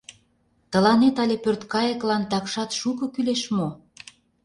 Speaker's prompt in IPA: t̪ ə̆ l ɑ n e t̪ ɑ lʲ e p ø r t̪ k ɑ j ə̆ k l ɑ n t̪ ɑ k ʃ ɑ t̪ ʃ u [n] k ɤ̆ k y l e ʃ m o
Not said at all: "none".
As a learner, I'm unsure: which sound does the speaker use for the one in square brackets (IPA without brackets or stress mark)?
none